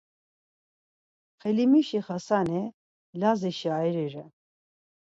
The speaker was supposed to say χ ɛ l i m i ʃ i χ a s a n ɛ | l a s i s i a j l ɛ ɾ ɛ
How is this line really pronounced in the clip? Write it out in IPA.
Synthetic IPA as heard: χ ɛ l i m i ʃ i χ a s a n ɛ | l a z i ʃ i a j ɾ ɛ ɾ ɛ